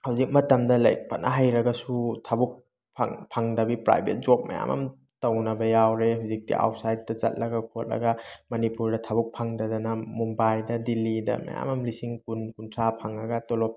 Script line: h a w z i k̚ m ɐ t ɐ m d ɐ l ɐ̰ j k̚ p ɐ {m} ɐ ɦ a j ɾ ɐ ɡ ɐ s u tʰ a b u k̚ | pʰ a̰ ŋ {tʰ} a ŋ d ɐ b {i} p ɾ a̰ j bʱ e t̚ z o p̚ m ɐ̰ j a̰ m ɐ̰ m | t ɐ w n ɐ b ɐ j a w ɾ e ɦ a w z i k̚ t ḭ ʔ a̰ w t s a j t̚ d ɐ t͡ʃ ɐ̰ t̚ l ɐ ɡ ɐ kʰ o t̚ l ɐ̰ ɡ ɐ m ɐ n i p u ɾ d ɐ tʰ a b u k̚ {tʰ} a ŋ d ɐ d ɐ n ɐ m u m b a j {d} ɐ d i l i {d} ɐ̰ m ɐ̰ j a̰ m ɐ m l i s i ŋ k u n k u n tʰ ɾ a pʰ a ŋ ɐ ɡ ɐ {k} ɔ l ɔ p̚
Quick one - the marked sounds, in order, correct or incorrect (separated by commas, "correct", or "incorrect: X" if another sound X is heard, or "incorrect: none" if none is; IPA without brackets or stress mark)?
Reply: incorrect: n, incorrect: pʰ, correct, incorrect: pʰ, correct, correct, incorrect: t